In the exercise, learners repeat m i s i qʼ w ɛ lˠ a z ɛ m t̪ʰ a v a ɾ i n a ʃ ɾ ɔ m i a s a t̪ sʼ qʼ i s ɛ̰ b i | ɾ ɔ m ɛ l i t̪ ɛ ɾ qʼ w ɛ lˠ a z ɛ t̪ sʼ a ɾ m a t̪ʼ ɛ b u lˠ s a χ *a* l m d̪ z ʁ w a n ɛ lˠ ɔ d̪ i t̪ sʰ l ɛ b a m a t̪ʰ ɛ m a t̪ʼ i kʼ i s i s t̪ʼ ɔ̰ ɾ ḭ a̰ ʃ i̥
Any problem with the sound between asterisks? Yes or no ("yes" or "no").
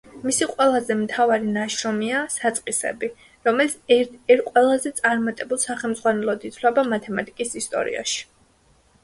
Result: yes